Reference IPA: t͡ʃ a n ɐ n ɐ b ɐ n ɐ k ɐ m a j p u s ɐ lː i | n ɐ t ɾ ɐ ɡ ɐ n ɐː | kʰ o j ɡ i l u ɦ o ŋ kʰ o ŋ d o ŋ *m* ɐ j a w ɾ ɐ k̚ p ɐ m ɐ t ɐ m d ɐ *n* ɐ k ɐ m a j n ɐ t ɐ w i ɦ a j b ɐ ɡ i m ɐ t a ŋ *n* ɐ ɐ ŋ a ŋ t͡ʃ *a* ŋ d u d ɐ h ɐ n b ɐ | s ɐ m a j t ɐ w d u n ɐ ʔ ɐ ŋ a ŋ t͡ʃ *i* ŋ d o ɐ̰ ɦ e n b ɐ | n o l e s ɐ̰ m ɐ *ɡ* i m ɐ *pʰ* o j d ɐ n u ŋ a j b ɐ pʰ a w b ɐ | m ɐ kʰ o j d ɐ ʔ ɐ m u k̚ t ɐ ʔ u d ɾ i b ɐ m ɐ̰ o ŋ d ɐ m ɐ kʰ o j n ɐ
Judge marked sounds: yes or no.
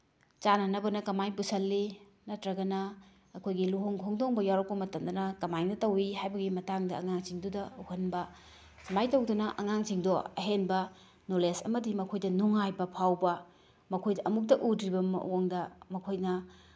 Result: no, yes, no, no, yes, no, no

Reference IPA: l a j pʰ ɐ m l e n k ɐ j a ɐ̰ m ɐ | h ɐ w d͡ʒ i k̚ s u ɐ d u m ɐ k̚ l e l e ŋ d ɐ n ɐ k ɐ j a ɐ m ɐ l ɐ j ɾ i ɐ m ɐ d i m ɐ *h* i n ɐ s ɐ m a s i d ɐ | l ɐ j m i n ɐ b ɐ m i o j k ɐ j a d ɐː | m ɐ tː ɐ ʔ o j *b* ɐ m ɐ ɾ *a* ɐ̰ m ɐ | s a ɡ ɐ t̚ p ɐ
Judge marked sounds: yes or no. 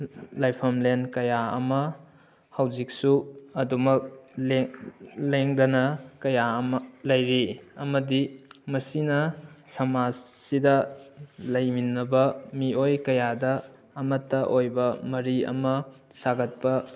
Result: no, yes, no

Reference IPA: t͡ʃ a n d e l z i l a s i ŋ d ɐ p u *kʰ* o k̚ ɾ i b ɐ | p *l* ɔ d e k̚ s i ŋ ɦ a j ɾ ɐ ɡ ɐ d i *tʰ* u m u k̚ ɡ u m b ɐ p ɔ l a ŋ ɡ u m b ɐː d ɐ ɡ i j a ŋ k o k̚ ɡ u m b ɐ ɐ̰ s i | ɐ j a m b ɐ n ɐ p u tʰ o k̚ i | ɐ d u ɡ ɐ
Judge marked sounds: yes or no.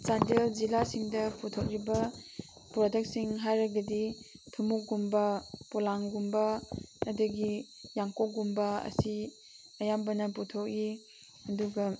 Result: no, no, yes

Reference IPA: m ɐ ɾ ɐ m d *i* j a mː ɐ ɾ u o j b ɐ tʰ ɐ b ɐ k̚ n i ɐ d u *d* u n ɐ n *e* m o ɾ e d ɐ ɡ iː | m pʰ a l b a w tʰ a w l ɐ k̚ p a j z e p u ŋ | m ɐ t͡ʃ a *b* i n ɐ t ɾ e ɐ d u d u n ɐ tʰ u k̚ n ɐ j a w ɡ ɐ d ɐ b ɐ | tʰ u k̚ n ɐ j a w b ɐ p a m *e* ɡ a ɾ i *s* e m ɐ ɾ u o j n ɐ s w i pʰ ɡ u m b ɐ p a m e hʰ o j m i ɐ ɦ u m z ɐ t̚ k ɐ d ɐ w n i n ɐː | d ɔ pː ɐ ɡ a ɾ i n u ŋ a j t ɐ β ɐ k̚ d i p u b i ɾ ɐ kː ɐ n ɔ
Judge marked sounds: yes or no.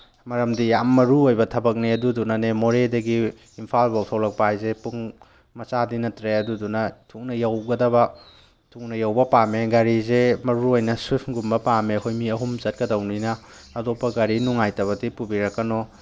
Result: yes, yes, yes, no, yes, no

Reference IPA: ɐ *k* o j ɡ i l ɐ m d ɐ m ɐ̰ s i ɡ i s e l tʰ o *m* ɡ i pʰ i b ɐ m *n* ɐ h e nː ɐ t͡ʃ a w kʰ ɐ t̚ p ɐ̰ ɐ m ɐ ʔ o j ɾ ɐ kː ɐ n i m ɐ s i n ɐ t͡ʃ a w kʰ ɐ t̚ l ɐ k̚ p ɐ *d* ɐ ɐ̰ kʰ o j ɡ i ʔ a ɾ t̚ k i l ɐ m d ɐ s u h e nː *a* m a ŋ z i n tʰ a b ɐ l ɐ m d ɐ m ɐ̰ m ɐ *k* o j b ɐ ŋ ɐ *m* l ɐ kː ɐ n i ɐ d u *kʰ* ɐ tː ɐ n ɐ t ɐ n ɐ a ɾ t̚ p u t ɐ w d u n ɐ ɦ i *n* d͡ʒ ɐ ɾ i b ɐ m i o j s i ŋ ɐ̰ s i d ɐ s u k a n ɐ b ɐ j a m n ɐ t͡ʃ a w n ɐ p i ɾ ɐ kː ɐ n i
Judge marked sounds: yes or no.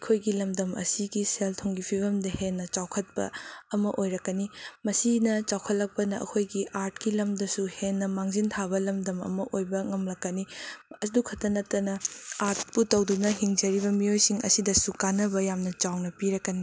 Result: no, no, no, no, no, no, yes, yes, no

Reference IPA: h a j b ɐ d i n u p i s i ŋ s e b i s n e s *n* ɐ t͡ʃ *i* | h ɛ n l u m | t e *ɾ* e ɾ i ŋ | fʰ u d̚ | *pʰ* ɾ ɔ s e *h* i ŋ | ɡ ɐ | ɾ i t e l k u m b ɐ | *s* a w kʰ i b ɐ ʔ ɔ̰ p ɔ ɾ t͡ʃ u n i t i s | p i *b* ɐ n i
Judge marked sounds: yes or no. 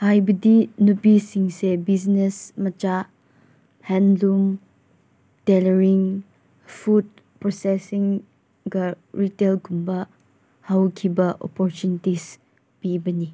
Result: no, no, no, no, no, no, yes

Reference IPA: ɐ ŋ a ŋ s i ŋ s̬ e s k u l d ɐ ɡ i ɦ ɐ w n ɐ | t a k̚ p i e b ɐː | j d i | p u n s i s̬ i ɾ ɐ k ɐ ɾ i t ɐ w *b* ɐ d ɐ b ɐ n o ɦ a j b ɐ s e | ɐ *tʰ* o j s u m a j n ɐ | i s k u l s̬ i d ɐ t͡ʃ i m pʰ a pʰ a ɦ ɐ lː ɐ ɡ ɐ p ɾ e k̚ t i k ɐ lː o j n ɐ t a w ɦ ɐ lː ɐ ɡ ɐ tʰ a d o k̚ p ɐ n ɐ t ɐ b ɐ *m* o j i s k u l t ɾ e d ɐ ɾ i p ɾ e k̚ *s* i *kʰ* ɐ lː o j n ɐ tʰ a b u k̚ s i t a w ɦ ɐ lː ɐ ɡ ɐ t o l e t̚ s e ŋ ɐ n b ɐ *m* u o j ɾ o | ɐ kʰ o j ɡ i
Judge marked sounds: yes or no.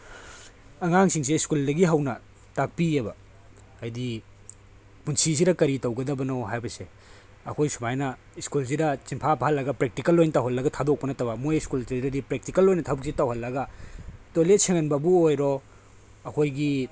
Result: no, no, yes, no, no, no

